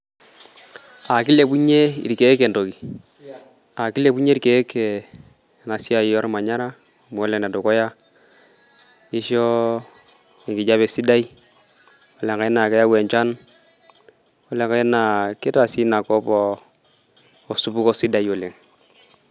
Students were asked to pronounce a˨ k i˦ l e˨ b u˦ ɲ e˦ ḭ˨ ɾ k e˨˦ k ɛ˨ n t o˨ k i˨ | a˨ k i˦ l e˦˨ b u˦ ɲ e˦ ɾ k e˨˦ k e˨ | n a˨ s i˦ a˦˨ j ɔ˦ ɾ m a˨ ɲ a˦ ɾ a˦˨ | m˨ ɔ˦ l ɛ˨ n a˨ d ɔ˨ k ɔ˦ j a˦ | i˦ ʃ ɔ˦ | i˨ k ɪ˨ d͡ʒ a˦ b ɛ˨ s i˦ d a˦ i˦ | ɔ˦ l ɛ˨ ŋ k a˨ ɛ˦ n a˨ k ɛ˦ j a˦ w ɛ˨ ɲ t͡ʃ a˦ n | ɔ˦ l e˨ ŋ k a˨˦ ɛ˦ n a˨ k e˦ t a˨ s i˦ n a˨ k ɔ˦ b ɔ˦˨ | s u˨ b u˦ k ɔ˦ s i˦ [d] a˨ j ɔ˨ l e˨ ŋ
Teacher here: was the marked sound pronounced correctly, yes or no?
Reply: yes